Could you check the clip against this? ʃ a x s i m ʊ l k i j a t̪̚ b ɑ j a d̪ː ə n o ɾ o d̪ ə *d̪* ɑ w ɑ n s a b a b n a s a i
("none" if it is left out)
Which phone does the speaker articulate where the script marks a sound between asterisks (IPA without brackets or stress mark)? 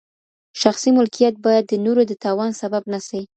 t̪